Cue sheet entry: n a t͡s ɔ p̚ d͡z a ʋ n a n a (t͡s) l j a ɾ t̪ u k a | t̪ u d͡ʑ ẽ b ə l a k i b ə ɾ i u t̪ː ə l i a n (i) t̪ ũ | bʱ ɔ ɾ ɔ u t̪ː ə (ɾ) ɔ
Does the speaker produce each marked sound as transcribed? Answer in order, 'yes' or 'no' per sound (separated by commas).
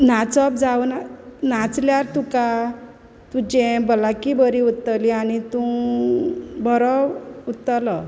yes, yes, no